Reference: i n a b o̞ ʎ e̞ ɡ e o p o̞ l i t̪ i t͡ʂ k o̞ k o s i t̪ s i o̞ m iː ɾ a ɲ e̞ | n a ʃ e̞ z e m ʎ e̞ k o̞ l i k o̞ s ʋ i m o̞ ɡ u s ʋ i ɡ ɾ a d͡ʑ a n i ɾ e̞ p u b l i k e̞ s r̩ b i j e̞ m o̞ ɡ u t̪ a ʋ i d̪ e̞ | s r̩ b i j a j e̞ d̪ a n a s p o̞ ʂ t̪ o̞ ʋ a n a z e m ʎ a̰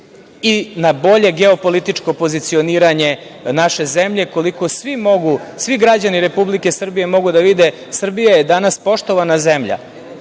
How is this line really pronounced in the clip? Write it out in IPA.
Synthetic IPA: i n a b o̞ ʎ e̞ ɡ e o p o̞ l i t̪ i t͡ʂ k o̞ p o z i t̪ s i o̞ n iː ɾ a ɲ e̞ | n a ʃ e̞ z e m ʎ e̞ k o̞ l i k o̞ s ʋ i m o̞ ɡ u s ʋ i ɡ ɾ a d͡ʑ a n i ɾ e̞ p u b l i k e̞ s r̩ b i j e̞ m o̞ ɡ u d̪ a ʋ i d̪ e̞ | s r̩ b i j a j e̞ d̪ a n a s p o̞ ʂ t̪ o̞ ʋ a n a z e m ʎ a̰